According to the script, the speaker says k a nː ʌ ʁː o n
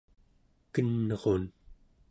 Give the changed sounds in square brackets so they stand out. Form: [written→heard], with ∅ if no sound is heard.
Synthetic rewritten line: k [a→ə] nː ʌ [ʁː→ʁ] o n